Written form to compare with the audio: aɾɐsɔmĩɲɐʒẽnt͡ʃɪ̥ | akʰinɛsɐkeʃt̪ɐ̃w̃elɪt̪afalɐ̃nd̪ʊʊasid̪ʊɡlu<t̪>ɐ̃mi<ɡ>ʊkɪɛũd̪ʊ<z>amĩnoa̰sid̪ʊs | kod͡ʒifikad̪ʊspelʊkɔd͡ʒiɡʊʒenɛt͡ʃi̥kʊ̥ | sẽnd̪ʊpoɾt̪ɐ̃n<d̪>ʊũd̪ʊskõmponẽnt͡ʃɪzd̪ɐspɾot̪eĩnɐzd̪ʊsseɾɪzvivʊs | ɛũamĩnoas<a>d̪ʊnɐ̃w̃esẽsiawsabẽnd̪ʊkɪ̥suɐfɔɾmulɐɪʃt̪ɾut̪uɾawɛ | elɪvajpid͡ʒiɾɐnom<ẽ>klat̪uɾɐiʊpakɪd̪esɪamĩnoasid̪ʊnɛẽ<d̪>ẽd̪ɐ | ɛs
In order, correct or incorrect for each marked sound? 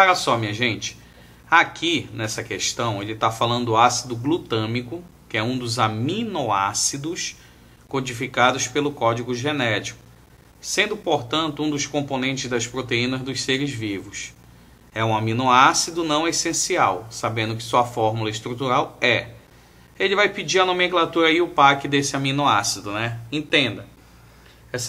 correct, incorrect: k, correct, incorrect: t̪, incorrect: i, correct, incorrect: t̪

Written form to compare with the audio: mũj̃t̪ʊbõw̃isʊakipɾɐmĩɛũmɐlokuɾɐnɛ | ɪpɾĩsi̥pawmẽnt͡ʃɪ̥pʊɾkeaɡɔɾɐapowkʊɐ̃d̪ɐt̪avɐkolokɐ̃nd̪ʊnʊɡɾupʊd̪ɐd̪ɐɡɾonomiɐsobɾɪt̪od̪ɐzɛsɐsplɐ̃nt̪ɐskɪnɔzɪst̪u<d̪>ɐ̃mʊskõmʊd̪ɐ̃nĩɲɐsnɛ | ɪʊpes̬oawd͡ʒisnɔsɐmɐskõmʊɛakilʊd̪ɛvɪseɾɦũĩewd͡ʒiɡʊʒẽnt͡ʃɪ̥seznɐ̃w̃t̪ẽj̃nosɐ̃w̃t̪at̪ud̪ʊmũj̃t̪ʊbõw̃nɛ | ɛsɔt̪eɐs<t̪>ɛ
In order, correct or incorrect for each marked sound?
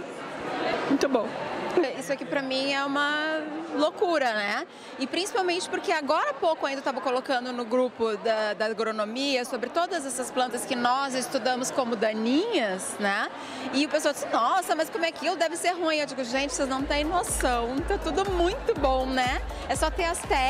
correct, correct

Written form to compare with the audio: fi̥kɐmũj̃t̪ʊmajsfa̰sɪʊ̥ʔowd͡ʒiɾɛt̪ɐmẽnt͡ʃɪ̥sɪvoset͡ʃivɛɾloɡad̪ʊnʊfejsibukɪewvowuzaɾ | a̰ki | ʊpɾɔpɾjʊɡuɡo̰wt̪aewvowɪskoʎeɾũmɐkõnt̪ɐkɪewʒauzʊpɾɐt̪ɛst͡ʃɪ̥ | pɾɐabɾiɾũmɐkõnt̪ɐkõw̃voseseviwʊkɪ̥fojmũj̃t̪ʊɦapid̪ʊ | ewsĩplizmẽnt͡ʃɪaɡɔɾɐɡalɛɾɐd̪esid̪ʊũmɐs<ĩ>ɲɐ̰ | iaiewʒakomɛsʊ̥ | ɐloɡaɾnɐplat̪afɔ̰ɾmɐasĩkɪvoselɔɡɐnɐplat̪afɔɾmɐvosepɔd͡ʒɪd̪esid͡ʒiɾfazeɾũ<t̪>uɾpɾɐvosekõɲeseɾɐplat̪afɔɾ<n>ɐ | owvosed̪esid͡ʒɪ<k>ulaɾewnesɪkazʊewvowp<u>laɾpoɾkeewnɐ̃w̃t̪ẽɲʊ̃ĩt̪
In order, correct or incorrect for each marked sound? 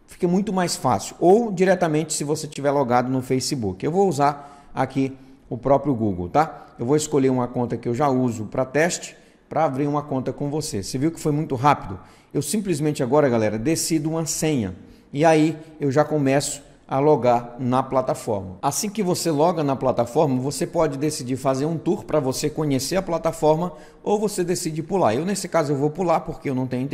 incorrect: ẽ, correct, incorrect: m, incorrect: p, correct

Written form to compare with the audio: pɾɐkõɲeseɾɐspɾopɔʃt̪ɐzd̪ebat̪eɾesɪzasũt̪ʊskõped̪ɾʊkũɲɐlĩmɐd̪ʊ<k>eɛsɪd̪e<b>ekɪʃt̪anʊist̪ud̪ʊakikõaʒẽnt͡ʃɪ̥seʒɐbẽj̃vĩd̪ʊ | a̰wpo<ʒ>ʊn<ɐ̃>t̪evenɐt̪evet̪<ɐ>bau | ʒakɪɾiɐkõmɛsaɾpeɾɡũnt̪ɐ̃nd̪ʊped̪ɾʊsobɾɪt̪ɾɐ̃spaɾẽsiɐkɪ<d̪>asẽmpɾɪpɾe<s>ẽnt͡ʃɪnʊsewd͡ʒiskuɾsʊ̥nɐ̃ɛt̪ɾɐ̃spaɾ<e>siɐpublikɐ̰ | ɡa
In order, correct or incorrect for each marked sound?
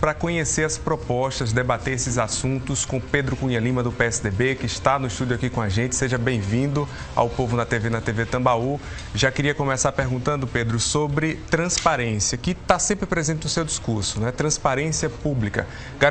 incorrect: p, correct, incorrect: v, incorrect: ɐ, incorrect: ɐ̃, incorrect: t̪, incorrect: z, incorrect: ẽ

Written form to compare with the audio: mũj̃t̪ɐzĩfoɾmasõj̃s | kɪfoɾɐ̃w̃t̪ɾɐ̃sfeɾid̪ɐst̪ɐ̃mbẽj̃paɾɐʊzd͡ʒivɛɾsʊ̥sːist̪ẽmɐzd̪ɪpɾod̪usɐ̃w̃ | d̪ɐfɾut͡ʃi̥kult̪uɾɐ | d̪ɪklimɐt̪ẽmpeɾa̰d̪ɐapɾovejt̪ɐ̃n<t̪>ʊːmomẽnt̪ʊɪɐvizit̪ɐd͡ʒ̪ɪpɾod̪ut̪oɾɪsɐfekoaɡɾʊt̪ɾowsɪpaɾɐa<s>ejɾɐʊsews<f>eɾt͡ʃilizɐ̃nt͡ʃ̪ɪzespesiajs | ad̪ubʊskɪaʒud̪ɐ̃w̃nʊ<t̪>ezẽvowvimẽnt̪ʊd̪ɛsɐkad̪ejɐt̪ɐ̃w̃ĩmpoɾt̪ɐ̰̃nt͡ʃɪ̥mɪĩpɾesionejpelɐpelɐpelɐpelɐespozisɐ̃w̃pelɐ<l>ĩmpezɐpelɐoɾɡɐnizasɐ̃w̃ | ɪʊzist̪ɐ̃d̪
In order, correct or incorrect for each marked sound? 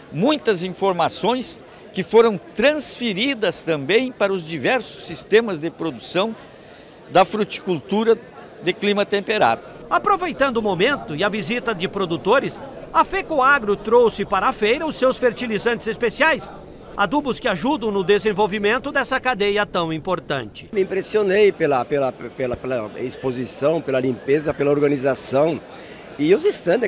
incorrect: d̪, incorrect: f, correct, incorrect: d̪, correct

